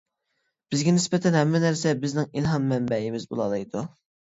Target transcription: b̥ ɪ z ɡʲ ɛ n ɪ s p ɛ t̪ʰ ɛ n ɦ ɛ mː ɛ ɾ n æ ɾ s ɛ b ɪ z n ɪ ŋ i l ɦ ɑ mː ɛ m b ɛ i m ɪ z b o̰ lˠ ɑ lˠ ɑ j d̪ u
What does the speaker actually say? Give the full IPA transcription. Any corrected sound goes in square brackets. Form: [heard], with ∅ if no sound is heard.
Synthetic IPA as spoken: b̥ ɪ z ɡʲ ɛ n ɪ s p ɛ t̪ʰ ɛ n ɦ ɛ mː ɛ [∅] n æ ɾ s ɛ b ɪ z n ɪ ŋ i l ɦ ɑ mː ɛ m b ɛ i m ɪ z b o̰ lˠ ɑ lˠ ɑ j d̪ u

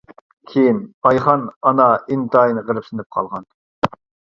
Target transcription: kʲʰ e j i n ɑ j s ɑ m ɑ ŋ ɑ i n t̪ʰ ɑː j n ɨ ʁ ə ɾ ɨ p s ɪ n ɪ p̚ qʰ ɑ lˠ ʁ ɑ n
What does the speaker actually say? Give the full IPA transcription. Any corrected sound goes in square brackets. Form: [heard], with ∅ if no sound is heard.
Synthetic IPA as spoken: kʲʰ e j i n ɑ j [χ] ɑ [n] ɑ [n] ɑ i n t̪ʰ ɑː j n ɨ ʁ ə ɾ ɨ p s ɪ n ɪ p̚ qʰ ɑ lˠ ʁ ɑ n

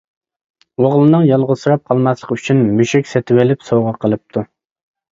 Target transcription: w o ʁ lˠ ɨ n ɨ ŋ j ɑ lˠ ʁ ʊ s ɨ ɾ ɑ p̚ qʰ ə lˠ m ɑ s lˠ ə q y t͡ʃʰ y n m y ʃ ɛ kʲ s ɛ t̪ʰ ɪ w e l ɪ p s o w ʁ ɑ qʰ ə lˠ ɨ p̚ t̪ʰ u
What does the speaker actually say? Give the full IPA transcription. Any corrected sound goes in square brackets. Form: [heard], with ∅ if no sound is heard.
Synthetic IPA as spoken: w o ʁ lˠ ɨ n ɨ ŋ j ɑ lˠ ʁ ʊ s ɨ ɾ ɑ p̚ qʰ [ɑ] lˠ m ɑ s lˠ ə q y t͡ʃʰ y n m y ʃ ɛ kʲ s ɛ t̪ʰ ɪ w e l ɪ p s o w ʁ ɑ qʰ ə lˠ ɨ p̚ t̪ʰ u

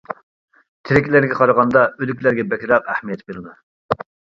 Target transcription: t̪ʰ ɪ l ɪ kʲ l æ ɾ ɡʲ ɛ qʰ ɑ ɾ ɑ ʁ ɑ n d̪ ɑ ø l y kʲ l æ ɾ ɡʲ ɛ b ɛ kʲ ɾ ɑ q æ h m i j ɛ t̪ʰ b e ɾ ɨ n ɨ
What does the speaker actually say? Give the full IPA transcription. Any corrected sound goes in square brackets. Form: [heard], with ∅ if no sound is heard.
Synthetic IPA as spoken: t̪ʰ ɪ [ɾ] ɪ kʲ l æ ɾ ɡʲ ɛ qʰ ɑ ɾ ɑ ʁ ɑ n d̪ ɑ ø l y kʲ l æ ɾ ɡʲ ɛ b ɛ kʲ ɾ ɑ q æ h m i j ɛ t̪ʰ b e ɾ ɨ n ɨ

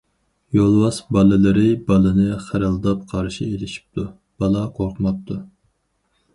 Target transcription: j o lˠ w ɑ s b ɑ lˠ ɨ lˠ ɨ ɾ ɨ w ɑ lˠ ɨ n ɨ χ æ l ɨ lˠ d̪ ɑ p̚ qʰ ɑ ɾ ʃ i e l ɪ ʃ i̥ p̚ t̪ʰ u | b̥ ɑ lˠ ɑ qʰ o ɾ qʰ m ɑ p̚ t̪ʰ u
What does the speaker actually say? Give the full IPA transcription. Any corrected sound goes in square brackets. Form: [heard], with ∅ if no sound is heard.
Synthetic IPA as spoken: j o lˠ w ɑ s b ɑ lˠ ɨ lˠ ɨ ɾ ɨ [b] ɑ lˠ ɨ n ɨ χ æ [ɾ] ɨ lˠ d̪ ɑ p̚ qʰ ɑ ɾ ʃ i e l ɪ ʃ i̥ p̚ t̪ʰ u | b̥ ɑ lˠ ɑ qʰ o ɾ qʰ m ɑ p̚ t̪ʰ u

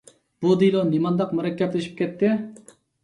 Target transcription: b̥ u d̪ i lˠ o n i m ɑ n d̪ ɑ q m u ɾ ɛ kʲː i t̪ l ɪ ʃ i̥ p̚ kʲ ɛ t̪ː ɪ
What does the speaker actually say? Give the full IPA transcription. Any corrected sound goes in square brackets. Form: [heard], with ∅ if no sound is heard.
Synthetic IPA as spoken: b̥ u d̪ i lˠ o n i m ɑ n d̪ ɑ q m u ɾ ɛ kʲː [ɛ] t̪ l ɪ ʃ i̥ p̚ kʲ ɛ t̪ː ɪ

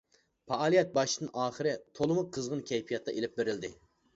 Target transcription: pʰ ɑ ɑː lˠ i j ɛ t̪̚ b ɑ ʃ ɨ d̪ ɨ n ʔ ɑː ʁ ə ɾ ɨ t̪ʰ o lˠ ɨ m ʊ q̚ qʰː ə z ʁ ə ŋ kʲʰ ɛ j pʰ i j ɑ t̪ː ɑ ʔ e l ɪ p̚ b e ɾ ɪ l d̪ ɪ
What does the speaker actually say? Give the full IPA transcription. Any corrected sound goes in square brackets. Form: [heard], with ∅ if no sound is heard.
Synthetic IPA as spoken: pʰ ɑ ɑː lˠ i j ɛ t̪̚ b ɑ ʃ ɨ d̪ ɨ n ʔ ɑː [χ] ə ɾ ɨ t̪ʰ o lˠ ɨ m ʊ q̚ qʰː ə z ʁ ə [n] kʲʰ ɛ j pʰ i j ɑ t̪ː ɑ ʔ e l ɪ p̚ b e ɾ ɪ l d̪ ɪ

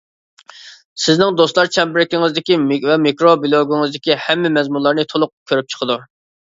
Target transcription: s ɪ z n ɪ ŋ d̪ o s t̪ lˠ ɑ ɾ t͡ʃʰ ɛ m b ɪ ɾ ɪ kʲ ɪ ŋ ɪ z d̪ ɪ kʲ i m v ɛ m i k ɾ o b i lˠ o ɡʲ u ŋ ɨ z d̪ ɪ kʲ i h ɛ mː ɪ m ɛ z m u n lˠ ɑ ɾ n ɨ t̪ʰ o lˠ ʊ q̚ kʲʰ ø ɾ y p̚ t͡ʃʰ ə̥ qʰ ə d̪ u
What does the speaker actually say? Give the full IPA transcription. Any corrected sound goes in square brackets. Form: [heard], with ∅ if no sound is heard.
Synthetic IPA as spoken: s ɪ z n ɪ ŋ d̪ o s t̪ lˠ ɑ ɾ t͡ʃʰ ɛ m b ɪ ɾ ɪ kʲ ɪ ŋ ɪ z d̪ ɪ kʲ i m v ɛ m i k ɾ o b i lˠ o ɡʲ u ŋ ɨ z d̪ ɪ kʲ i h ɛ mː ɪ m ɛ z m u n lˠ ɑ ɾ n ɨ t̪ʰ o lˠ ʊ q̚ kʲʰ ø ɾ y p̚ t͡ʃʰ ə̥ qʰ ə d̪ u

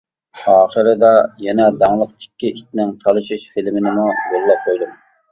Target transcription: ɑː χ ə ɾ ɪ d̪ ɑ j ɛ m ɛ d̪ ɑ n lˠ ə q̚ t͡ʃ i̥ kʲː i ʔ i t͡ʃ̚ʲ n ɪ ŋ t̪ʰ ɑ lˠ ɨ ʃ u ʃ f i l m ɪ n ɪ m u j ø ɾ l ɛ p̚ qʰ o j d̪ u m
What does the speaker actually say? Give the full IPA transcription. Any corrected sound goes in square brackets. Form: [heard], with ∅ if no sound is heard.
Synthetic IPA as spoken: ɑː χ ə ɾ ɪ d̪ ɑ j ɛ [n] ɛ d̪ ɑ [ŋ] lˠ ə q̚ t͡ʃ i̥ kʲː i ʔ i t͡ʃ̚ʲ n ɪ ŋ t̪ʰ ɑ lˠ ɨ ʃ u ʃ f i l m ɪ n ɪ m u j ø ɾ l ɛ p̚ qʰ o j d̪ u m

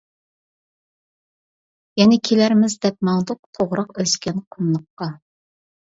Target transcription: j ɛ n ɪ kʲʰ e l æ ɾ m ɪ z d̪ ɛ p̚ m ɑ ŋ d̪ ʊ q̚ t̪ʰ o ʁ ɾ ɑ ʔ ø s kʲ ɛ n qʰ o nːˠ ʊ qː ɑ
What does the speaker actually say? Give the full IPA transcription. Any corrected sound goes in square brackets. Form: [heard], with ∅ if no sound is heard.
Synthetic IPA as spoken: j ɛ n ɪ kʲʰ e l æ ɾ m ɪ z d̪ ɛ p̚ m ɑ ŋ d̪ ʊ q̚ t̪ʰ o ʁ ɾ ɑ [q] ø s kʲ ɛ n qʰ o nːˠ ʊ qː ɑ

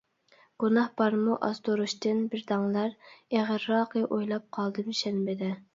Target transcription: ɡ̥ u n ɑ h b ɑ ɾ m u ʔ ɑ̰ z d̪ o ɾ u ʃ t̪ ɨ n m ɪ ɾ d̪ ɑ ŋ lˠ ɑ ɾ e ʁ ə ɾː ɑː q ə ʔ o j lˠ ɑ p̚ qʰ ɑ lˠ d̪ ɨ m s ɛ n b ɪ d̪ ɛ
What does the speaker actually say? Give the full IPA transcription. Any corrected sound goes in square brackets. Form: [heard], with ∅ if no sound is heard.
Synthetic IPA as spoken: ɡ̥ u n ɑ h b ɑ ɾ m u ʔ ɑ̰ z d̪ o ɾ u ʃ t̪ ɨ n [b] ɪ ɾ d̪ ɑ ŋ lˠ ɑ ɾ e ʁ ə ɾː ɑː q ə ʔ o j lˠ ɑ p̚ qʰ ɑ lˠ d̪ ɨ m [ʃ] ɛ n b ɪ d̪ ɛ

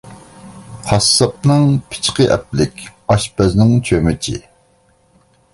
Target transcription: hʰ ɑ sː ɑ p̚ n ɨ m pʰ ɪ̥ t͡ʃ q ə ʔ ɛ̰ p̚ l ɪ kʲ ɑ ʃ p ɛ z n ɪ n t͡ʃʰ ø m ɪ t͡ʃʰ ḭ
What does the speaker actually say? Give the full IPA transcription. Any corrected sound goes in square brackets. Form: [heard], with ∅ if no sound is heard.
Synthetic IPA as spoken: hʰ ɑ sː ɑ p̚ n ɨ [ŋ] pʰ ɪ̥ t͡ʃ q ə ʔ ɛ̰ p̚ l ɪ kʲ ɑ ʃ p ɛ z n ɪ [ŋ] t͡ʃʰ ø m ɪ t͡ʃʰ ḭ

